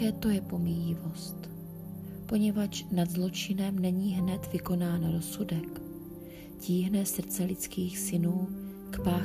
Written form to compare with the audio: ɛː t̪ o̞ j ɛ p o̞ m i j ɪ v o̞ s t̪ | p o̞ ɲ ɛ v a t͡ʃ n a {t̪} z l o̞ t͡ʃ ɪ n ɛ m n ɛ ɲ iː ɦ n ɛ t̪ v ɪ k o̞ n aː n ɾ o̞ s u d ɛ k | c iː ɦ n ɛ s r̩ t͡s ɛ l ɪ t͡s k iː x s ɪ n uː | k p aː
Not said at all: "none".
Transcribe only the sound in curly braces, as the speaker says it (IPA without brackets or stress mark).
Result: d̪